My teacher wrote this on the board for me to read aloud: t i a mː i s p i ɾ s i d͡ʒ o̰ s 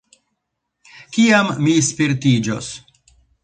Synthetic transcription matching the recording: k i a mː i s p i ɾ t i d͡ʒ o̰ s